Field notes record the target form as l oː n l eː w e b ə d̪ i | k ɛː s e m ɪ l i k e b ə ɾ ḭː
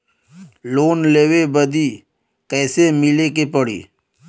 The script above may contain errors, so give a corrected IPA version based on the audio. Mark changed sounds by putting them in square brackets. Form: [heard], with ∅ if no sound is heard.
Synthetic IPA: l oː n l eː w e b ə d̪ i | k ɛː s e m ɪ l [e] k e [p] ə [ɽ] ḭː